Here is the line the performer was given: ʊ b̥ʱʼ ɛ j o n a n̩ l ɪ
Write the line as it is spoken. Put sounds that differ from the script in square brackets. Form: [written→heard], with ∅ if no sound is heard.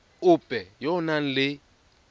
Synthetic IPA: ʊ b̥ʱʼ ɛ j [o→ɔ] n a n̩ l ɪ

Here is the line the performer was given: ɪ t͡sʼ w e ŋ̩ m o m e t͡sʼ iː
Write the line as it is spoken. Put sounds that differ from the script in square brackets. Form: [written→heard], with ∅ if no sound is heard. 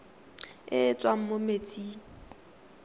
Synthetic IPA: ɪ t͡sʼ w [e→a] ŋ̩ m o m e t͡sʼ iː

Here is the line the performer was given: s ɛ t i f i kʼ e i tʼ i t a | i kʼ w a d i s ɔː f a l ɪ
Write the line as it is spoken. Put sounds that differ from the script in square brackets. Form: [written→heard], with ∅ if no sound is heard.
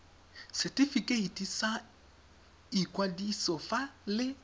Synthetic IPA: s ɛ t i f i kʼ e i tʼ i [t→s] a | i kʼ w a d i s [ɔː→ɔ] f a l ɪ

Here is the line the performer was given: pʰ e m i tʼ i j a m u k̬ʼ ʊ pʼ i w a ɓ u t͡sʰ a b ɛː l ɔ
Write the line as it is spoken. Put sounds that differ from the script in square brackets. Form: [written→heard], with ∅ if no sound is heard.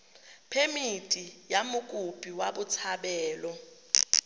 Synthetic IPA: pʰ e m i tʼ i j a m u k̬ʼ [ʊ→u] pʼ i w a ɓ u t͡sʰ a [b→ɓ] ɛː l ɔ

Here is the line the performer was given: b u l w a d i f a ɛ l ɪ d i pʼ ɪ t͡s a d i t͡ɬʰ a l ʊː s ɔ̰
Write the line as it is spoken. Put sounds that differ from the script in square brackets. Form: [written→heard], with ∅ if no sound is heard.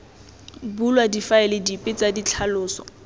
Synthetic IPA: b u l w a d i f a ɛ l ɪ d i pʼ ɪ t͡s a d i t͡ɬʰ a l ʊː s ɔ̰

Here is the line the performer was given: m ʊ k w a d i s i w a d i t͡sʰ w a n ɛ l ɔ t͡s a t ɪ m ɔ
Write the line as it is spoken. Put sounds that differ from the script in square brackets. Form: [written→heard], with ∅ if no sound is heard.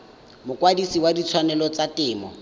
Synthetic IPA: m ʊ k w a d i s i w a d i t͡sʰ w a n ɛ l ɔ t͡s a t [ɪ→ɪː] m ɔ

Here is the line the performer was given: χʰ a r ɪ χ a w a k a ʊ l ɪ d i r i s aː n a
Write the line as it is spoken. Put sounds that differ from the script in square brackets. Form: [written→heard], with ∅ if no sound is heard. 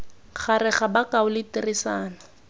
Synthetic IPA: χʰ a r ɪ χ a [w→b] a k a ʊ l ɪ [d→t] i r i s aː n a

